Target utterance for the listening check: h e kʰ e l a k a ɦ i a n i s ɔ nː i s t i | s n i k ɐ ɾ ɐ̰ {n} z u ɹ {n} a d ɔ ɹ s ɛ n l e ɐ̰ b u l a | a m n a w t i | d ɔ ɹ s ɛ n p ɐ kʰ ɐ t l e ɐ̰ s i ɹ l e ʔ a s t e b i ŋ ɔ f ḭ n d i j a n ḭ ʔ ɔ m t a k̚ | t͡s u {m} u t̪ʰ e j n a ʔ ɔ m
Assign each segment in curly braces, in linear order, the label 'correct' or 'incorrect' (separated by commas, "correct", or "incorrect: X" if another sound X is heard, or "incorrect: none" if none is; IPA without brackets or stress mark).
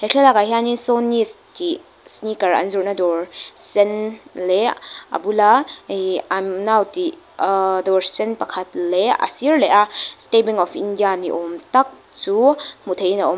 correct, correct, correct